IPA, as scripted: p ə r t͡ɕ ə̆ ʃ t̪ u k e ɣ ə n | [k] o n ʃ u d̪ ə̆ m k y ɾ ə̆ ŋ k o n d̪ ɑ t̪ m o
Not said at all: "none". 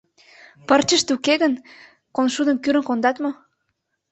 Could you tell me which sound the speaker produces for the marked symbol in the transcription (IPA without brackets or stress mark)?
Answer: k